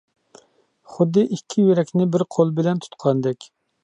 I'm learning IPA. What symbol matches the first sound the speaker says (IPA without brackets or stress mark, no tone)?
χ